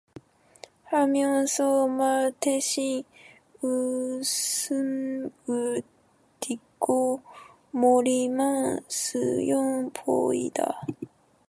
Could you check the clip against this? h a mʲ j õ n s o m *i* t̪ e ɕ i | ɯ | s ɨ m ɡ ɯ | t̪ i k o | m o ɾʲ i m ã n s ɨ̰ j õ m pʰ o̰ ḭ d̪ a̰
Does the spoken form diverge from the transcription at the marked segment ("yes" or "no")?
yes